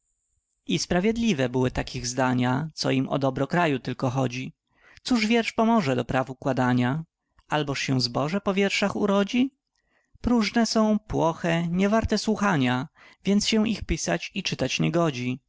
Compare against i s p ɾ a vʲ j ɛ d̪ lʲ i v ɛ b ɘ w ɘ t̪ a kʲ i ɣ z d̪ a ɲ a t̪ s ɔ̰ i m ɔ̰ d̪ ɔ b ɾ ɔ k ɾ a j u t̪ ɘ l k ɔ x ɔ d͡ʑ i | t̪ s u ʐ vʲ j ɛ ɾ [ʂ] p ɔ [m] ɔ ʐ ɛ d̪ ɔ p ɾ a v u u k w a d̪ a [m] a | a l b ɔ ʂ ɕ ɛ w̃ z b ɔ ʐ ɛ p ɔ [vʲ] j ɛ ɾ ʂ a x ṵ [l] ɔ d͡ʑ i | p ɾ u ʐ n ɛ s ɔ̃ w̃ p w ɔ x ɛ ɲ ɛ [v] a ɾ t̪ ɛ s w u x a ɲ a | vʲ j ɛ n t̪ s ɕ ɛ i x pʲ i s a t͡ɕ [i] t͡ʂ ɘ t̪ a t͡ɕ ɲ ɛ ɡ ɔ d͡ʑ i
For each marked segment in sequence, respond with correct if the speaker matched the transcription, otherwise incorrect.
correct, correct, incorrect: ɲ, correct, incorrect: ɾ, correct, correct

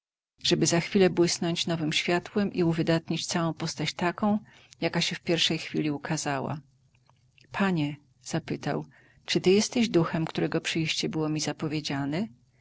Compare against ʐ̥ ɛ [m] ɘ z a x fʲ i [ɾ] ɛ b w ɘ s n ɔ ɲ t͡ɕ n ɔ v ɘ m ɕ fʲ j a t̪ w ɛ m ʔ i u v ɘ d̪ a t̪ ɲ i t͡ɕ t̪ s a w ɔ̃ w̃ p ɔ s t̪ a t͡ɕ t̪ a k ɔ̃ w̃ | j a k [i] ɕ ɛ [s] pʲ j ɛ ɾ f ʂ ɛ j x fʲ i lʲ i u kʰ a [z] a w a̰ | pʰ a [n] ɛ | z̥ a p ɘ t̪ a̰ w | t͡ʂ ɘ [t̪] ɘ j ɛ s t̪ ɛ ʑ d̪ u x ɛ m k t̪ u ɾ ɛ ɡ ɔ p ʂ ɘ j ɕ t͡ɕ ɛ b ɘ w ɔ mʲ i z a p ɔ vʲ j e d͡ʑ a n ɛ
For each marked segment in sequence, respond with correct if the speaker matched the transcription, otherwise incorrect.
incorrect: b, incorrect: l, incorrect: a, incorrect: f, correct, incorrect: ɲ, correct

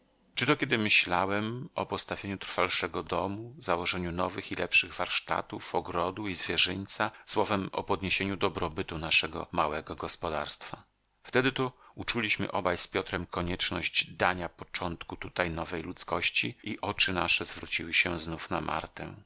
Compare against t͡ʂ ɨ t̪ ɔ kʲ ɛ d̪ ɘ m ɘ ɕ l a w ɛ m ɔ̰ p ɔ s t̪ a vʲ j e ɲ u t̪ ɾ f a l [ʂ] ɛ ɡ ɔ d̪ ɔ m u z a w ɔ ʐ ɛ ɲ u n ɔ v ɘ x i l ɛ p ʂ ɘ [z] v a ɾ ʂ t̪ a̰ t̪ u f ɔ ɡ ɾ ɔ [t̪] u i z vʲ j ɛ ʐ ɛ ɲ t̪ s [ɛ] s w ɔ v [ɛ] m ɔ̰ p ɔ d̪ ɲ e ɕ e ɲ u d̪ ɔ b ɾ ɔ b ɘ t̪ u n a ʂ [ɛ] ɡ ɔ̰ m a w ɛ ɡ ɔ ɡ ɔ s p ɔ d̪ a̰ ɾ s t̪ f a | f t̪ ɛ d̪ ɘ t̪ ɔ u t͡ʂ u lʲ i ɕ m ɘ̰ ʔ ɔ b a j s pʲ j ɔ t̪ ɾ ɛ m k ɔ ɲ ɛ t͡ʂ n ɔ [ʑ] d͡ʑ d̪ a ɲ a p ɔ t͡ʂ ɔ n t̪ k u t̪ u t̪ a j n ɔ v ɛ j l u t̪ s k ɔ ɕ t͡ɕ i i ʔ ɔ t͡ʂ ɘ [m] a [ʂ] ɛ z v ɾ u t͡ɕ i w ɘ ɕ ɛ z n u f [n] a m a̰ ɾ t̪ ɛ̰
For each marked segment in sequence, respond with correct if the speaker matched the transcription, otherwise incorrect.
correct, incorrect: ɣ, incorrect: d̪, incorrect: a, correct, correct, correct, incorrect: n, correct, correct

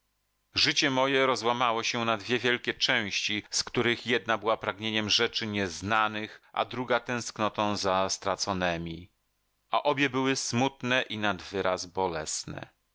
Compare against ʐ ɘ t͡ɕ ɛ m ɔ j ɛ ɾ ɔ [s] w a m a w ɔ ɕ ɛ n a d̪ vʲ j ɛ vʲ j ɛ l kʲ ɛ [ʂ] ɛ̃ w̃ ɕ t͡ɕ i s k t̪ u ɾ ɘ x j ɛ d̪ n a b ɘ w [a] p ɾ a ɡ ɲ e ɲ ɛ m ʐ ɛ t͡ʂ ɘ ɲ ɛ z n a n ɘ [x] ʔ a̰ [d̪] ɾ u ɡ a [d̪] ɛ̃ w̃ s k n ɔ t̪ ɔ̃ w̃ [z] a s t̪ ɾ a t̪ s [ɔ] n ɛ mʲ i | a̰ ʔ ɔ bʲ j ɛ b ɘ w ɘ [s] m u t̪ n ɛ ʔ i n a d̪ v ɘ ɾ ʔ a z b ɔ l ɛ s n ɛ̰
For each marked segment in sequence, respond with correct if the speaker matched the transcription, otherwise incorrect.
incorrect: z, incorrect: t͡ʂ, correct, correct, correct, incorrect: t̪, correct, correct, correct

